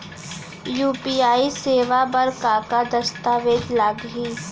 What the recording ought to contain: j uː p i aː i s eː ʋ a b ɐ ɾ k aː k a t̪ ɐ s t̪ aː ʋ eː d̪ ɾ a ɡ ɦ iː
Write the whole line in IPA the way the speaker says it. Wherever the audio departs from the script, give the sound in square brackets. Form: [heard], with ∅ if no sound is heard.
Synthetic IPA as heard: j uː p i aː i s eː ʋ a b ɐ ɾ k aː k a [d̪] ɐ s t̪ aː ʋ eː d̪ [l] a ɡ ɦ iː